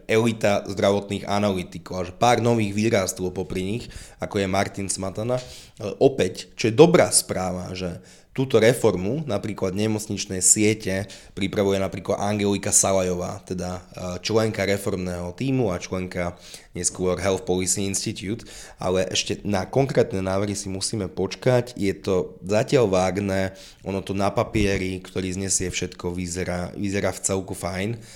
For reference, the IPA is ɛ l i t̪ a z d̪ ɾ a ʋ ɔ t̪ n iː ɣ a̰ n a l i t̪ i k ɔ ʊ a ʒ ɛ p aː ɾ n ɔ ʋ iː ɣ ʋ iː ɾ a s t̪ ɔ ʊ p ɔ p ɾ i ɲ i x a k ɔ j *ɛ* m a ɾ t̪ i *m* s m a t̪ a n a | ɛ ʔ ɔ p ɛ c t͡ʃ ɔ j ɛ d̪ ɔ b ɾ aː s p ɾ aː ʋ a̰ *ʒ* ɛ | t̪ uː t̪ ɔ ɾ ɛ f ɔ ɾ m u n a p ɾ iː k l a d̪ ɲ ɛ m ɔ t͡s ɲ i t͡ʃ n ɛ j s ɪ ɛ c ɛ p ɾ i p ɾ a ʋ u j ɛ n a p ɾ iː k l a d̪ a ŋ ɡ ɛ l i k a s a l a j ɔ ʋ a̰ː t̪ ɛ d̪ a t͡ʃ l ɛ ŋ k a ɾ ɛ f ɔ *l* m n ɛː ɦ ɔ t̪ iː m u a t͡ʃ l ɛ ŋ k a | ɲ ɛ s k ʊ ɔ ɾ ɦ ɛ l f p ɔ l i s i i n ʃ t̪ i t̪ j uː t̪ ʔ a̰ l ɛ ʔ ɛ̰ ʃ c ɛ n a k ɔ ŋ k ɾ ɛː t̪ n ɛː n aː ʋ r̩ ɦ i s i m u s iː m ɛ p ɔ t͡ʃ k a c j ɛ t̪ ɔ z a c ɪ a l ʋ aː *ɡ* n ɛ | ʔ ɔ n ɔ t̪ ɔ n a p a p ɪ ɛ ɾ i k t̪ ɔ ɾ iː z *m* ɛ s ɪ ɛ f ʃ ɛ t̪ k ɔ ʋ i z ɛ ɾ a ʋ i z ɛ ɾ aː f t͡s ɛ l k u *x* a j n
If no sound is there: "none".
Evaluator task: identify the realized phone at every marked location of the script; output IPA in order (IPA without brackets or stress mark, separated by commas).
ɛ, n, ʒ, ɾ, ɡ, ɲ, f